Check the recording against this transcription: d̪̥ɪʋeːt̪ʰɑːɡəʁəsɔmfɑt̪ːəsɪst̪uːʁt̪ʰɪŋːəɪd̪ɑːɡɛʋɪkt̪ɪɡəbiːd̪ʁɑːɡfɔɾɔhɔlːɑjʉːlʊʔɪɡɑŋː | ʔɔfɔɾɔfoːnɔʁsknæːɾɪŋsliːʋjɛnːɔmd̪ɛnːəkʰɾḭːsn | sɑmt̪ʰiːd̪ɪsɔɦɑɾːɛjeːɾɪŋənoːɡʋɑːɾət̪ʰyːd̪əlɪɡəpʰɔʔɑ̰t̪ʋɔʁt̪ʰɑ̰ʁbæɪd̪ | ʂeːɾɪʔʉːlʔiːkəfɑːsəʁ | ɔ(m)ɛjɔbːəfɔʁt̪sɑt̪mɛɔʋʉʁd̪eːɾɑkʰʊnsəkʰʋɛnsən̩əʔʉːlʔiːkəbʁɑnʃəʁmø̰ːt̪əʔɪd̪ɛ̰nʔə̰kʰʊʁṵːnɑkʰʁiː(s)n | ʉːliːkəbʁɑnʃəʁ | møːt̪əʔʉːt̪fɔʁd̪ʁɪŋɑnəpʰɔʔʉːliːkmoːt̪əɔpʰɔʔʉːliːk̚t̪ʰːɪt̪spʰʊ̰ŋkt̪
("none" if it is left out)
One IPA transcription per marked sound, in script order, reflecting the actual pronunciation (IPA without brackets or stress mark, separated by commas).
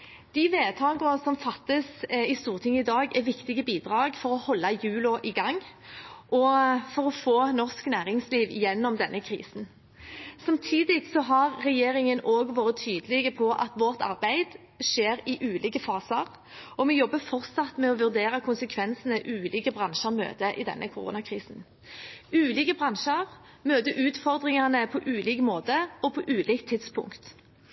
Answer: m, s